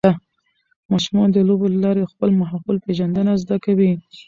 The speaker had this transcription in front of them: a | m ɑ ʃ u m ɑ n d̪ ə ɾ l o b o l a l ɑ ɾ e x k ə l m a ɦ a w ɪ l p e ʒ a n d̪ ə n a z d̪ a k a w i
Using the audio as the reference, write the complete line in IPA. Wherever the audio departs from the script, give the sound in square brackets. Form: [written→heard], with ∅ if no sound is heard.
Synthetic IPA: a | m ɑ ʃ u m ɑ n d̪ ə [ɾ→∅] l o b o l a l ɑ ɾ e x [k→p] ə l m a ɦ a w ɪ l p e ʒ a n d̪ ə n a z d̪ a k a w i